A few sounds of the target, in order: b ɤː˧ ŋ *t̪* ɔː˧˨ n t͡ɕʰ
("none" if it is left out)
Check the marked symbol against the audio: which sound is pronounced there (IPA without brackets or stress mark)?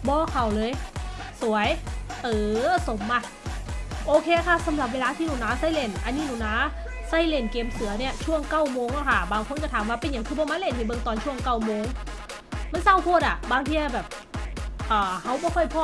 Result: t̪